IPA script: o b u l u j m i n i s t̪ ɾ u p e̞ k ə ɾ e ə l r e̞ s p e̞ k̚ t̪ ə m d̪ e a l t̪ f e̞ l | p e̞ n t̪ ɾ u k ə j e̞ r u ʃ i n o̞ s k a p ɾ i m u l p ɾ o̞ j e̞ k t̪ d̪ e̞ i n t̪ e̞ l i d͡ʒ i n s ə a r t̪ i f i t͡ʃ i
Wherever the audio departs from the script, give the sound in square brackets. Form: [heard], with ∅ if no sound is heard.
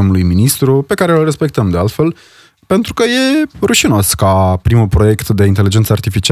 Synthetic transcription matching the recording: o [m] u l u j m i n i s t̪ ɾ u p e̞ k [a] ɾ e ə l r e̞ s p e̞ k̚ t̪ ə m d̪ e a l t̪ f e̞ l | p e̞ n t̪ ɾ u k ə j e̞ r u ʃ i n o̞ s k a p ɾ i m u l p ɾ o̞ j e̞ k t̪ d̪ e̞ i n t̪ e̞ l i d͡ʒ [e] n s ə a r t̪ i f i t͡ʃ i